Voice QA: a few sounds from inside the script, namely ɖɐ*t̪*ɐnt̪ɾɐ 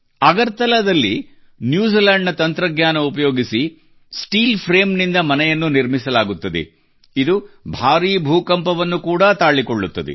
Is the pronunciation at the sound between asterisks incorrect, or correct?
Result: correct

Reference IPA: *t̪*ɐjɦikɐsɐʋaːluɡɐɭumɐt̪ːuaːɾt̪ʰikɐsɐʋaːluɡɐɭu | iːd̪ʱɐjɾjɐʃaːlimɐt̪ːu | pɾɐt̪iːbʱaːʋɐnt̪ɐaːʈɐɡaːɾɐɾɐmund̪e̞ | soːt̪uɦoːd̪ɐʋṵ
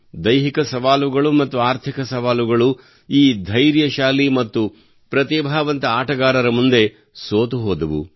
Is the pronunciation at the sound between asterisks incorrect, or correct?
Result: incorrect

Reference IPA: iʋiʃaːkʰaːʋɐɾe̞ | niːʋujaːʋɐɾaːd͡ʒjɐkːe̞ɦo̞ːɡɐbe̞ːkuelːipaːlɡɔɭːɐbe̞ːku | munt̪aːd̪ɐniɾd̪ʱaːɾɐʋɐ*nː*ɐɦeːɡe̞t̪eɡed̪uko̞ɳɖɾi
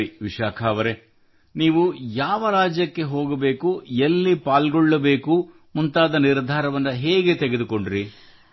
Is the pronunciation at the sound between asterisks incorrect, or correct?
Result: correct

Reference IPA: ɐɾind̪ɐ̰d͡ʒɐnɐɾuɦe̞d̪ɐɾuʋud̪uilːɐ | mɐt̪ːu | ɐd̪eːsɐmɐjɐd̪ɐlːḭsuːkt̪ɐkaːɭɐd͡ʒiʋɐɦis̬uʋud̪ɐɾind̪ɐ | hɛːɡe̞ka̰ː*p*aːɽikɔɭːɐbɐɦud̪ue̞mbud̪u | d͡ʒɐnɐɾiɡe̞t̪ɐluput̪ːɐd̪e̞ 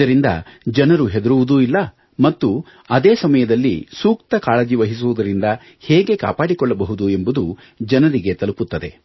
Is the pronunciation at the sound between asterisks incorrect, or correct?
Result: correct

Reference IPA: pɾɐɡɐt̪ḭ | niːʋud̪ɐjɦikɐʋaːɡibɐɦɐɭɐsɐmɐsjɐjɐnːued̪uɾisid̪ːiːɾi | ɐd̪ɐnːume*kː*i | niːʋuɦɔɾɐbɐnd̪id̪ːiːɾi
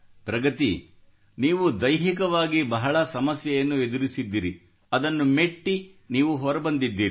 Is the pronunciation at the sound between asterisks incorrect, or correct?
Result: incorrect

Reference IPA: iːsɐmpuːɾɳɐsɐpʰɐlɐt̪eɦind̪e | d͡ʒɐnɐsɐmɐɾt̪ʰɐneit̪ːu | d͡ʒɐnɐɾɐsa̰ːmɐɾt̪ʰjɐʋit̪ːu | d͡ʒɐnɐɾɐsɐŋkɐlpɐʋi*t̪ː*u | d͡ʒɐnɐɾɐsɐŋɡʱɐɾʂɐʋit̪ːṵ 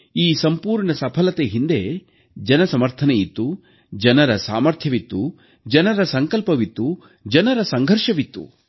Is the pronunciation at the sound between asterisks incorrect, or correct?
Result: correct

